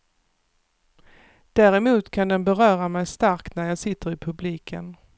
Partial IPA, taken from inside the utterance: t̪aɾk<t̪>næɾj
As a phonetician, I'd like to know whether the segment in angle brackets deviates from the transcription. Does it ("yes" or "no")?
no